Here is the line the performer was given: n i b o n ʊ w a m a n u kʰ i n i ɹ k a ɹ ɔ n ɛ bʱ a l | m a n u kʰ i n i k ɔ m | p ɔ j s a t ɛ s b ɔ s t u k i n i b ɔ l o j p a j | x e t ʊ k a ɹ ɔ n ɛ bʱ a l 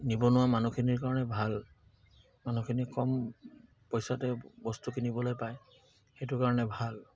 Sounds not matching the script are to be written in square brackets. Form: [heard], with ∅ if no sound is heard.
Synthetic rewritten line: n i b [ɔ] n ʊ w a m a n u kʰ i n i ɹ k a ɹ ɔ n ɛ bʱ a l | m a n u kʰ i n i k ɔ m | p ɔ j s a t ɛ [∅] b ɔ s t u k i n i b ɔ l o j p a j | x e t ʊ k a ɹ ɔ n ɛ bʱ a l